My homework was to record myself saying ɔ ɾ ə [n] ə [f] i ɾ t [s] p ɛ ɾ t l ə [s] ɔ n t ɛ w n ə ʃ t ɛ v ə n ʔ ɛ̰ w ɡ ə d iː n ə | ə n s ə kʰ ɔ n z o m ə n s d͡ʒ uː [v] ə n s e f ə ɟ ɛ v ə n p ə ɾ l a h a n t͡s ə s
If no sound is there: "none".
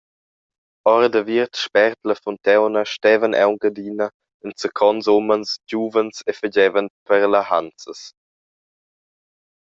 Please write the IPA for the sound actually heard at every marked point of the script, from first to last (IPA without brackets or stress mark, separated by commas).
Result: d, v, ʃ, f, v